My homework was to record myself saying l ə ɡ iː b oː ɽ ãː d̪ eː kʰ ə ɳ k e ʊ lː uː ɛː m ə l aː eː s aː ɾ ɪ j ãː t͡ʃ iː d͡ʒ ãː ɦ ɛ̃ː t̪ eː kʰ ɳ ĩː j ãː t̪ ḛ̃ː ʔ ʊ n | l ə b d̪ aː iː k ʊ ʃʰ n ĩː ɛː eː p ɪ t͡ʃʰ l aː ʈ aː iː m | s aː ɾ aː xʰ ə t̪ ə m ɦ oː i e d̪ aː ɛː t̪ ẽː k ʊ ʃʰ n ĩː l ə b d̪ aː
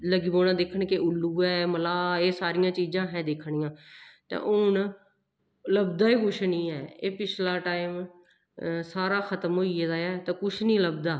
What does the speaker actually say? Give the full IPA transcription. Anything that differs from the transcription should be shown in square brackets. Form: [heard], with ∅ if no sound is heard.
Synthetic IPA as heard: l ə ɡ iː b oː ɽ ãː d̪ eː kʰ ə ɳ k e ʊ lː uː ɛː m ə l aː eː s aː ɾ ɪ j ãː t͡ʃ iː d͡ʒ ãː ɦ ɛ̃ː [d̪] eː kʰ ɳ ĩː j ãː t̪ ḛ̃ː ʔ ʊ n | l ə b d̪ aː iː k ʊ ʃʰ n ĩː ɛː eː p ɪ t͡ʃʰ l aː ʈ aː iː m | s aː ɾ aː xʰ ə t̪ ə m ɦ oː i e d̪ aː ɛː t̪ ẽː k ʊ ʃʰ n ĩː l ə b d̪ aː

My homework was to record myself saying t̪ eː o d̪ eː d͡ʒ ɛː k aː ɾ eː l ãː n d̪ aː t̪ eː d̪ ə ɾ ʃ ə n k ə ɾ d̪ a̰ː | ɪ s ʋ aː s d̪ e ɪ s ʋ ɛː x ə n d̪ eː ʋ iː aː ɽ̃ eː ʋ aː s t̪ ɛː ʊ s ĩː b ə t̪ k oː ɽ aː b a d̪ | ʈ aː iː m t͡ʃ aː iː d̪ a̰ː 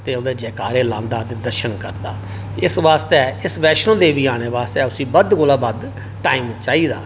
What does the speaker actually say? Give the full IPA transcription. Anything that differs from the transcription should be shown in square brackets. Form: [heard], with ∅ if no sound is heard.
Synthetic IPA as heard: t̪ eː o d̪ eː d͡ʒ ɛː k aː ɾ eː l ãː n d̪ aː t̪ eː d̪ ə ɾ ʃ ə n k ə ɾ d̪ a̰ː | ɪ s ʋ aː s [t̪] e ɪ s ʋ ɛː [ʃ] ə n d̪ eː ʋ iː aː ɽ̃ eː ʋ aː s t̪ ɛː ʊ s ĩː b ə [d̪] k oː [l] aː b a d̪ | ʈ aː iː m t͡ʃ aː iː d̪ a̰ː

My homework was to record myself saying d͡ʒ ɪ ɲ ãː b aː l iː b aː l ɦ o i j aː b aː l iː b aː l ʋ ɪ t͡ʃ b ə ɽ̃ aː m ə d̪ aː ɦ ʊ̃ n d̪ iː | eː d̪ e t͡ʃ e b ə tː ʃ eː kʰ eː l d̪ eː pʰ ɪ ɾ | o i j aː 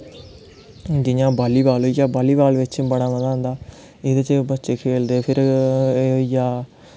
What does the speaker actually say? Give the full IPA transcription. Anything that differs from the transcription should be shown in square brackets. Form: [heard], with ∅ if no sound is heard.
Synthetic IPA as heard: d͡ʒ ɪ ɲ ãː b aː l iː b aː l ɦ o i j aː b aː l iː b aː l ʋ ɪ t͡ʃ b ə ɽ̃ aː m ə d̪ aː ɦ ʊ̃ n d̪ [aː] | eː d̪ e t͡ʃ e b ə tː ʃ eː kʰ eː l d̪ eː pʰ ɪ ɾ | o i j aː

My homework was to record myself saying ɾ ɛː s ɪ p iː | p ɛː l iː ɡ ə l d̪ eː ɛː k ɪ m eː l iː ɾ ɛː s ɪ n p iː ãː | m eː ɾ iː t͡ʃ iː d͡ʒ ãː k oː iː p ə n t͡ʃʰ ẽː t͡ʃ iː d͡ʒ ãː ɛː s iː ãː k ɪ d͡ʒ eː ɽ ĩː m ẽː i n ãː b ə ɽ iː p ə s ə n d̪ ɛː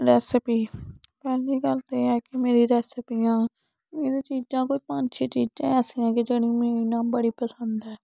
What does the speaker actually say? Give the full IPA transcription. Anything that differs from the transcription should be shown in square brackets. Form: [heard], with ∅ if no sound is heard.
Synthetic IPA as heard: ɾ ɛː s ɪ p iː | p ɛː l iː ɡ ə l [t̪] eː ɛː k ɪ m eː [ɾ] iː ɾ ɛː s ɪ [∅] p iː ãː | m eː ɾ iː t͡ʃ iː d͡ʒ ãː k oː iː p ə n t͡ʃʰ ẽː t͡ʃ iː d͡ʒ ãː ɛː s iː ãː k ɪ d͡ʒ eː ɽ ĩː m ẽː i n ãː b ə ɽ iː p ə s ə n d̪ ɛː

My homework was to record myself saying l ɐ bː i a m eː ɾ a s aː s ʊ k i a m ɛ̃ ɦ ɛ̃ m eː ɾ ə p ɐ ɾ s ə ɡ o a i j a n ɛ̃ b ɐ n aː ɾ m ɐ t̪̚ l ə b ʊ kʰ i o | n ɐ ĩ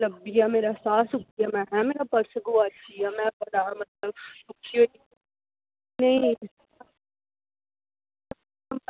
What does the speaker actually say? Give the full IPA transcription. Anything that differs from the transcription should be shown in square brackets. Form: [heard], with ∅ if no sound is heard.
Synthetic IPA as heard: l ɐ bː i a m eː ɾ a s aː s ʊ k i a m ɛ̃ ɦ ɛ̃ m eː ɾ [a] p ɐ ɾ s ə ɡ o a i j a [m] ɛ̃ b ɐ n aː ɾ m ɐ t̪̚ l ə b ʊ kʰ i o | n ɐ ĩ

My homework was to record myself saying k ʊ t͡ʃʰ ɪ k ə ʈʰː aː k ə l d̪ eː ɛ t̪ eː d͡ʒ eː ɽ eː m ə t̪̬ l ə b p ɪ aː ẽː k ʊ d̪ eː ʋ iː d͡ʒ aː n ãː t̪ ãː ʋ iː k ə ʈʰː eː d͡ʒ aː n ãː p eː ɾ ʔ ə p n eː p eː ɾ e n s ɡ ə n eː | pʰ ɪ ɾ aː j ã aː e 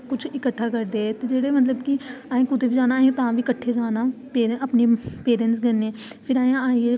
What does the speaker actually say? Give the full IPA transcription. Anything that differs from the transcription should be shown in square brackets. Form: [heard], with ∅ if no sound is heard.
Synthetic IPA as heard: k ʊ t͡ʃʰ ɪ k ə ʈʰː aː k ə [ɾ] d̪ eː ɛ t̪ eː d͡ʒ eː ɽ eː m ə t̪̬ l ə b [k] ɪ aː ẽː k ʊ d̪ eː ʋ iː d͡ʒ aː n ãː t̪ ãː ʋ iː k ə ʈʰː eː d͡ʒ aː n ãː p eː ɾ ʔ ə p n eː p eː ɾ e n s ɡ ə n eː | pʰ ɪ ɾ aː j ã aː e

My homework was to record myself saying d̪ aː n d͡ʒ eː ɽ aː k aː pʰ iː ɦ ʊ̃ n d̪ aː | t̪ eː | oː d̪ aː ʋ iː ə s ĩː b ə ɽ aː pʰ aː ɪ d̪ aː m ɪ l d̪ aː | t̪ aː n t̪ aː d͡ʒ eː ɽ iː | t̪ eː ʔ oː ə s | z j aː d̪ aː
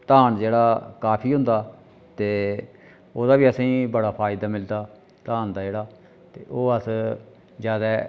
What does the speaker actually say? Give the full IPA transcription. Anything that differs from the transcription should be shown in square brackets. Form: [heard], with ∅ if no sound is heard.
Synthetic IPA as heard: [t̪] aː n d͡ʒ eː ɽ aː k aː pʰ iː ɦ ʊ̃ n d̪ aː | t̪ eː | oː d̪ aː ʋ iː ə s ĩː b ə ɽ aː pʰ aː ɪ d̪ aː m ɪ l d̪ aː | t̪ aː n [d̪] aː d͡ʒ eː ɽ [aː] | t̪ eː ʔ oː ə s | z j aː d̪ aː

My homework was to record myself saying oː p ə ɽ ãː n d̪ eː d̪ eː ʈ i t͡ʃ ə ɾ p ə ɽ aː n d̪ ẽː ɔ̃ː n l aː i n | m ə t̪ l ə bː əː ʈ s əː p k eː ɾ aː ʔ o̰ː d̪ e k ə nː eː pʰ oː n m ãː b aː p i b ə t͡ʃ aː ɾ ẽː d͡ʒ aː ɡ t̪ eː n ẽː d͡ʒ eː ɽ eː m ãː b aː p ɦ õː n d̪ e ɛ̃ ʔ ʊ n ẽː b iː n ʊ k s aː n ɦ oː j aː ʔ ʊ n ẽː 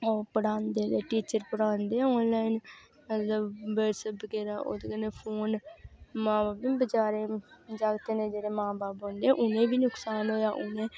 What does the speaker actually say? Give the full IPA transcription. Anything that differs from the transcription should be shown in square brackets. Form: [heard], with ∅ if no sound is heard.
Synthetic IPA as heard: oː p ə ɽ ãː n d̪ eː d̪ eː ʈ [iː] t͡ʃ ə ɾ p ə ɽ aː n d̪ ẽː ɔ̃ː n l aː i n | m ə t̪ l ə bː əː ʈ s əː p k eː ɾ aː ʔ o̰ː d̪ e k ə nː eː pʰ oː n m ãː b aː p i b ə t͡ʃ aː ɾ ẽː d͡ʒ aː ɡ t̪ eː n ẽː d͡ʒ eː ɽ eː m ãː b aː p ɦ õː n d̪ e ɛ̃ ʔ ʊ n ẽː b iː n ʊ k s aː n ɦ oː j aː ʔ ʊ n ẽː

